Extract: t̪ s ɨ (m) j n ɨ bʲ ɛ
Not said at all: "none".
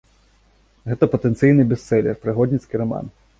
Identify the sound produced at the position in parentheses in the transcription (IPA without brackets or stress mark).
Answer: none